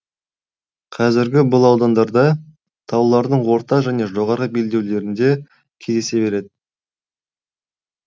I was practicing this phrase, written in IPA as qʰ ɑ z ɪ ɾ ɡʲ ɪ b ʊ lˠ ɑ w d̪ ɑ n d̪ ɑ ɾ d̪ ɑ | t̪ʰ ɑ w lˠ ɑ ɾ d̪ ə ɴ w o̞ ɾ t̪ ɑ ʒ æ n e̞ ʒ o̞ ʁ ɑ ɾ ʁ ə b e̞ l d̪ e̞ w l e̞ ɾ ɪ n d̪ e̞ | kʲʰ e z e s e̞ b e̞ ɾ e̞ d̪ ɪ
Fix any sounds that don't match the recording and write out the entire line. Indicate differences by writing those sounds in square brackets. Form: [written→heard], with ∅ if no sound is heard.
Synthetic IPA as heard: qʰ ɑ z ɪ ɾ ɡʲ ɪ b ʊ lˠ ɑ w d̪ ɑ n d̪ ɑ ɾ d̪ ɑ | t̪ʰ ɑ w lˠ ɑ ɾ d̪ ə ɴ w o̞ ɾ t̪ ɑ ʒ æ n e̞ ʒ o̞ ʁ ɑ ɾ ʁ ə b e̞ l d̪ e̞ w l e̞ ɾ ɪ n d̪ e̞ | kʲʰ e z e s e̞ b e̞ ɾ e̞ d̪ ɪ